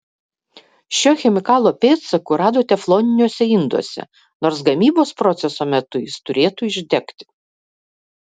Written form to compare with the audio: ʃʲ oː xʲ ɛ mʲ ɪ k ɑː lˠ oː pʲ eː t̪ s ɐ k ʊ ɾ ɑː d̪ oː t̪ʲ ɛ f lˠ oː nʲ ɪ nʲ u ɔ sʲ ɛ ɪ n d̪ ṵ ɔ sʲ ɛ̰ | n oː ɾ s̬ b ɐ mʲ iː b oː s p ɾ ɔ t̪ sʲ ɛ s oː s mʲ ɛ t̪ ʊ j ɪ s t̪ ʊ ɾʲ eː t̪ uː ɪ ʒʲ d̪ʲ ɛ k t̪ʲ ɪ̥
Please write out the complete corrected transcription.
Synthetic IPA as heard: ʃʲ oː xʲ ɛ mʲ ɪ k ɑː lˠ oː pʲ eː t̪ s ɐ k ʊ ɾ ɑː d̪ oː t̪ʲ ɛ f lˠ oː nʲ ɪ nʲ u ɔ sʲ ɛ ɪ n d̪ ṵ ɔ sʲ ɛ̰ | n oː ɾ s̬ ɡ ɐ mʲ iː b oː s p ɾ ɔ t̪ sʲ ɛ s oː mʲ ɛ t̪ ʊ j ɪ s t̪ ʊ ɾʲ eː t̪ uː ɪ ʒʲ d̪ʲ ɛ k t̪ʲ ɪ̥